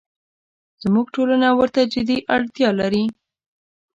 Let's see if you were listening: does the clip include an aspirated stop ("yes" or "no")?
no